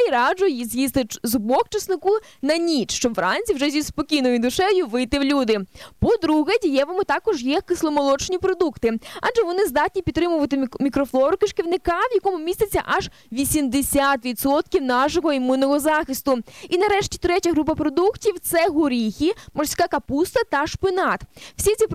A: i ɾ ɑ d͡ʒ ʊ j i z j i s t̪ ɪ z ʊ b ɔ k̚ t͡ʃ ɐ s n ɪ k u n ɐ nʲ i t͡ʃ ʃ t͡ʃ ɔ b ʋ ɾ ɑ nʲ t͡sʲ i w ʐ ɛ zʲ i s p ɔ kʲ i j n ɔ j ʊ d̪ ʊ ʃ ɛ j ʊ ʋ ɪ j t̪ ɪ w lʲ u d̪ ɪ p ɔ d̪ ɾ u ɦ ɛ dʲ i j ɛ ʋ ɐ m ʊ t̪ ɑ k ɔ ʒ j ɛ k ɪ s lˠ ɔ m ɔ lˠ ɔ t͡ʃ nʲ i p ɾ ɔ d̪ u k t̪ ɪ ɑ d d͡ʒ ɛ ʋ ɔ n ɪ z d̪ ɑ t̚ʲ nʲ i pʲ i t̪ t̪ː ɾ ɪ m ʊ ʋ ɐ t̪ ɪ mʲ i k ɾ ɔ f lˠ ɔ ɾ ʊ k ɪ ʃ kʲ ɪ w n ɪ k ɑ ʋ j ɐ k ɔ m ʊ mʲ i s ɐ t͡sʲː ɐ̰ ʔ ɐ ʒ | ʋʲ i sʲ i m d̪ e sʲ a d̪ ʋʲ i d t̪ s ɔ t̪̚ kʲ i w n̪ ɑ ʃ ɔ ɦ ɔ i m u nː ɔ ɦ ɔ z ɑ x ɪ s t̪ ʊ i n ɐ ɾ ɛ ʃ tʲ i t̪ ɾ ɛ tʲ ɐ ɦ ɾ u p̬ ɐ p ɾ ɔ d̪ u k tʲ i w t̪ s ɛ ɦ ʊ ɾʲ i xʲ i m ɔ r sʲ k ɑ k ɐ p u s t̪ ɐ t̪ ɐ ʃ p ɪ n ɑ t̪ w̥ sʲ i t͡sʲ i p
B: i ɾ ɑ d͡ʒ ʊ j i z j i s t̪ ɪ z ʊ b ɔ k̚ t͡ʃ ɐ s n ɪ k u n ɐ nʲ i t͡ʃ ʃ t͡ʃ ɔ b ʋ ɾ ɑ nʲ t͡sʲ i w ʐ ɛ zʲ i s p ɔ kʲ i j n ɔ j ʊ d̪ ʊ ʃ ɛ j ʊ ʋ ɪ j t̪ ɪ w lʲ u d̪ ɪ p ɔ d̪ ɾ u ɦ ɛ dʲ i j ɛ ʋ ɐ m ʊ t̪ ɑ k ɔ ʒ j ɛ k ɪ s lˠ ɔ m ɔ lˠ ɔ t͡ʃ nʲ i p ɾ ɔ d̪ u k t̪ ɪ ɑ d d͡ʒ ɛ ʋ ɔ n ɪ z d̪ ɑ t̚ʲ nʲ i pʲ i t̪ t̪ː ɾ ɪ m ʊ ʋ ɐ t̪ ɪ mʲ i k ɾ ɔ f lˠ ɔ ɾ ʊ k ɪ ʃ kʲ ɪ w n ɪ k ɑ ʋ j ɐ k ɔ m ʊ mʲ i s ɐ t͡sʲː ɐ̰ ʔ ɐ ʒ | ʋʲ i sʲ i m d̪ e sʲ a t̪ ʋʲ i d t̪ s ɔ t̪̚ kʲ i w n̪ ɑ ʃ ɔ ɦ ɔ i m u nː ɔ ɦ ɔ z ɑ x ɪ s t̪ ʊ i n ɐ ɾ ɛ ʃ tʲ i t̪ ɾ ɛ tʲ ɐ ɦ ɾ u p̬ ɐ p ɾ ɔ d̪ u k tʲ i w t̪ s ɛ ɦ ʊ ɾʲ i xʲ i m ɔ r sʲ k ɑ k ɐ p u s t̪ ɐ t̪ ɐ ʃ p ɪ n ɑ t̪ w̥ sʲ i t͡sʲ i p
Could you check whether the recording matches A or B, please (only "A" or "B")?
B